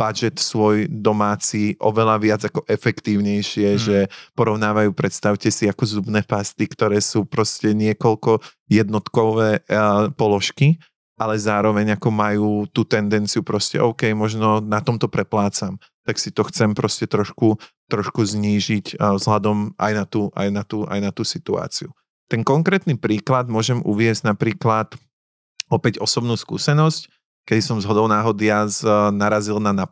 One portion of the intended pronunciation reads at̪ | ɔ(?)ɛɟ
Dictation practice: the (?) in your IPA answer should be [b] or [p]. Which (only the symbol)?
p